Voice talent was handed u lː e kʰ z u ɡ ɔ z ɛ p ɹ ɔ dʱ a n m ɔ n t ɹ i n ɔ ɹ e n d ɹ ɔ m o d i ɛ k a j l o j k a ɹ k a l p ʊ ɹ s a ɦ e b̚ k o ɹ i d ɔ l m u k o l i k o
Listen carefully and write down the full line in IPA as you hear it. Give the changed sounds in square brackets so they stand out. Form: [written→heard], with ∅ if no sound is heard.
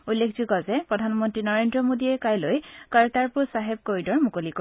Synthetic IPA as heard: u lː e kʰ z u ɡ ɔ z ɛ p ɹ ɔ dʱ a n m ɔ n t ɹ i n ɔ ɹ e n d ɹ ɔ m o d i ɛ k a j l o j k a ɹ [k→t] a [l→ɹ] p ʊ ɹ s a ɦ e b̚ k o ɹ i d ɔ [l→ɹ] m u k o l i k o